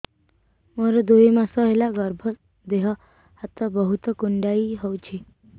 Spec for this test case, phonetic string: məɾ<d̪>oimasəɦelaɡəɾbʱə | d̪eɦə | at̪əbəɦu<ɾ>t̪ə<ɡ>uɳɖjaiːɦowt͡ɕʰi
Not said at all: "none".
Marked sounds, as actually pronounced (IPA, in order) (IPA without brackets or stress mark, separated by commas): d̪, none, k